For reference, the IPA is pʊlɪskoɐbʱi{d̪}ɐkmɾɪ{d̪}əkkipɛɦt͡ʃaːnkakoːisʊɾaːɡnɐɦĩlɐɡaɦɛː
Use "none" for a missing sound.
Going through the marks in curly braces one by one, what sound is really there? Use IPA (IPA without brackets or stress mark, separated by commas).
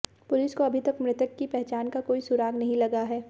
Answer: t̪, t̪